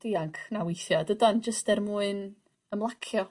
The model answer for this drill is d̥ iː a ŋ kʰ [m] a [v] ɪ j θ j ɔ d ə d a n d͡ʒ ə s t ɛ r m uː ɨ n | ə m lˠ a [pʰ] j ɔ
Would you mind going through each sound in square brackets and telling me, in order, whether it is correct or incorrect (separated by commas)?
incorrect, incorrect, incorrect